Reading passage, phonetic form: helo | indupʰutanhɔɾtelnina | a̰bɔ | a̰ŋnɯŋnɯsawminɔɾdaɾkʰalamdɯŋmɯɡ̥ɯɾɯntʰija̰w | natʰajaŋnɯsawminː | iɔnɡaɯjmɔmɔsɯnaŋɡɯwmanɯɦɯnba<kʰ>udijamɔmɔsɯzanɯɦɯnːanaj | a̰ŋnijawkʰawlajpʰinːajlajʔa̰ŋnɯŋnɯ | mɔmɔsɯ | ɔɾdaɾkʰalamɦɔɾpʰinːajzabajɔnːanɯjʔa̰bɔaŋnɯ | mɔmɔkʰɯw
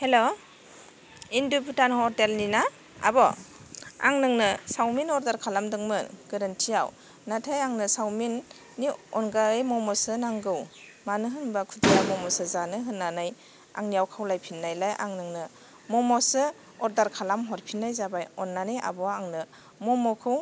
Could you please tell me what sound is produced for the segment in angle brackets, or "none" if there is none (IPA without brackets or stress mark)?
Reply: kʰ